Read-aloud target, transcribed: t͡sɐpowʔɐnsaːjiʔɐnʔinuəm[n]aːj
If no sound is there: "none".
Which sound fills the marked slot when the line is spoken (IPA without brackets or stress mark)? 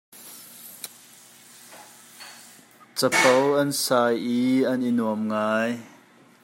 ŋ